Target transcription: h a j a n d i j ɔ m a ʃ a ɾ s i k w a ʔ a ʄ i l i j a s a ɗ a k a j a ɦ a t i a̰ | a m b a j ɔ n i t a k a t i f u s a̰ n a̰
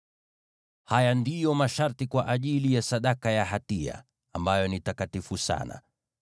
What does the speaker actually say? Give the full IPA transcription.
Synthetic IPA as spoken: h a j a n d i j ɔ m a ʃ a ɾ t i k w a ʔ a ʄ i l i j a s a ɗ a k a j a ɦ a t i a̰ | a m b a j ɔ n i t a k a t i f u s a̰ n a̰